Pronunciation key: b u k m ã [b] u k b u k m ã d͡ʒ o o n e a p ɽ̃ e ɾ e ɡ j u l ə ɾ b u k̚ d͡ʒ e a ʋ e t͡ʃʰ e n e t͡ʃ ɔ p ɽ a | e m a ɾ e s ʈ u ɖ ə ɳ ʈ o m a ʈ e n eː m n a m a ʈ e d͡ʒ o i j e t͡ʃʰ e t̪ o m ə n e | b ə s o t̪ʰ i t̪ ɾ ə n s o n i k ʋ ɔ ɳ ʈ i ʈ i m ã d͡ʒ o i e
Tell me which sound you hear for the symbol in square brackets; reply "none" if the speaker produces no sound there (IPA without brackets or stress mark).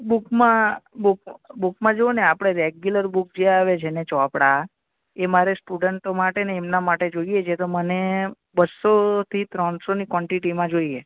b